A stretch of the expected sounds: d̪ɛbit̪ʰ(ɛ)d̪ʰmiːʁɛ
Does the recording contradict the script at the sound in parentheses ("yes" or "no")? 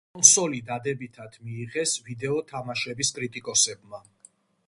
yes